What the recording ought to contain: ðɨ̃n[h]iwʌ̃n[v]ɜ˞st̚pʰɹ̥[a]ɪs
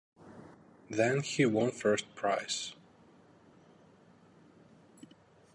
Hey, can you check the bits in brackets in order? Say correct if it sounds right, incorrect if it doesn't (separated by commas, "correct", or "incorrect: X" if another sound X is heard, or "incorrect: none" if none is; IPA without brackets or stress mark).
correct, incorrect: f, correct